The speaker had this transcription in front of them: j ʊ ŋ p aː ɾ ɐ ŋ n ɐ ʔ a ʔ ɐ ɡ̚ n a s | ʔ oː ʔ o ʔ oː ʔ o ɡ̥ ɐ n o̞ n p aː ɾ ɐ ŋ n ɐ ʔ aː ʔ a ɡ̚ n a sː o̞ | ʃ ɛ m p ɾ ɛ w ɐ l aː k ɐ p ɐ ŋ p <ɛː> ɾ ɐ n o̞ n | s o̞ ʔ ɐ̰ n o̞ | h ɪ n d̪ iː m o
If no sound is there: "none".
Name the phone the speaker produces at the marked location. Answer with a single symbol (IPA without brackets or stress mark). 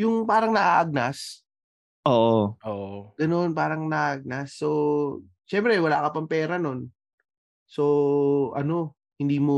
ɛː